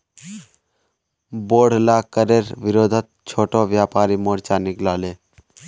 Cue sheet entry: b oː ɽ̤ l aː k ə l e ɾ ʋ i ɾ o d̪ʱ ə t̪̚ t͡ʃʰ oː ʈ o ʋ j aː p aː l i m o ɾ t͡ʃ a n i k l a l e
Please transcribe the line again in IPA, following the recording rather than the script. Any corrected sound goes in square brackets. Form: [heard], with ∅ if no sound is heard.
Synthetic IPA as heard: b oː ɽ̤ l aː k ə [ɾ] e ɾ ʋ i ɾ o d̪ʱ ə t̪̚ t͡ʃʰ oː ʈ o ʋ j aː p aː [ɾ] i m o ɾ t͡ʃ a n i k l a l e